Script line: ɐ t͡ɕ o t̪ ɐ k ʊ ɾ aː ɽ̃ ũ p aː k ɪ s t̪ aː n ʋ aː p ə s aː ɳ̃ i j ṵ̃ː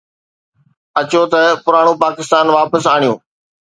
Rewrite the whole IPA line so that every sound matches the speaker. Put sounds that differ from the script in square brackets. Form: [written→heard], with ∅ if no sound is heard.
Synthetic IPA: ɐ t͡ɕ o t̪ ɐ [k→p] ʊ ɾ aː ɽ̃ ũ p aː k ɪ s t̪ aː n ʋ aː p ə s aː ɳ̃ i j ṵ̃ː